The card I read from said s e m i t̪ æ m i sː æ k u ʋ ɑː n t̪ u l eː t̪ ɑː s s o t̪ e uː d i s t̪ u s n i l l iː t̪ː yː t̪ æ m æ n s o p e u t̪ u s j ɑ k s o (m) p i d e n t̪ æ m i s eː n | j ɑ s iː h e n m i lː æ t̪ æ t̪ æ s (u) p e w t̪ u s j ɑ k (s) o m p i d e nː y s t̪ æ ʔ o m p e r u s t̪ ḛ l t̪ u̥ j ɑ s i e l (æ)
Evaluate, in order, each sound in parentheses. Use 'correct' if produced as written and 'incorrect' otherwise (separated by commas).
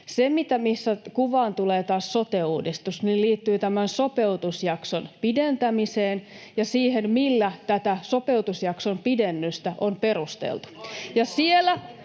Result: incorrect, incorrect, correct, correct